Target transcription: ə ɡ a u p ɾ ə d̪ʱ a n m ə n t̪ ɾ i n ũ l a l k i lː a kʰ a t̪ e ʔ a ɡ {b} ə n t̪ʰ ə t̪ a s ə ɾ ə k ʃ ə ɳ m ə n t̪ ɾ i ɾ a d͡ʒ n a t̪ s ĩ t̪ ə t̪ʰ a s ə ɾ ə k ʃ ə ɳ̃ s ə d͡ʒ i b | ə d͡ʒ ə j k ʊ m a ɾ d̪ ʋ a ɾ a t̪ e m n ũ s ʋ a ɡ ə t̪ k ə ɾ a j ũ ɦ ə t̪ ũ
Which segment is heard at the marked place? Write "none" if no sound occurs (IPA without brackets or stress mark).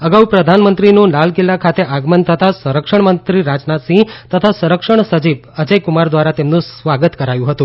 m